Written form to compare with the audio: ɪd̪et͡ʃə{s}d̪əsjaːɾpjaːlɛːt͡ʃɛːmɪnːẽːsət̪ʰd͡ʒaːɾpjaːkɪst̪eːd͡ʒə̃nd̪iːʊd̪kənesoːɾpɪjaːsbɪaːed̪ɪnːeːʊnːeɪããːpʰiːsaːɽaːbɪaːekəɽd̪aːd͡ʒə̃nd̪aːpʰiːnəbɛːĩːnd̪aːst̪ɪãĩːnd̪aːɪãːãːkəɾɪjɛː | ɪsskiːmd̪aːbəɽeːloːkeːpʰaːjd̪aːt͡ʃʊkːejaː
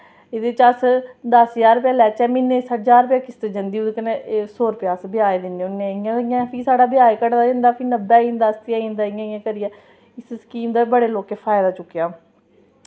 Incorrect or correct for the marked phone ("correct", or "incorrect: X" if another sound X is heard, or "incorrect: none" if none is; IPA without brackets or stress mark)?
correct